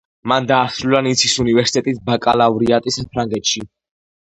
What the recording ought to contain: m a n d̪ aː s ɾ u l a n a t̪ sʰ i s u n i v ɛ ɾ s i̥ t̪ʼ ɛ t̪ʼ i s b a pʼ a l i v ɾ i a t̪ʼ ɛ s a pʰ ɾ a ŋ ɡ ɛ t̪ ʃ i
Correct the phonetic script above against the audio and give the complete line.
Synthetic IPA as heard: m a n d̪ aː s ɾ u l a n i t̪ sʰ i s u n i v ɛ ɾ s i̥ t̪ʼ ɛ t̪ʼ i s b a kʼ a l a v ɾ i a t̪ʼ i s a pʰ ɾ a ŋ ɡ ɛ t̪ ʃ i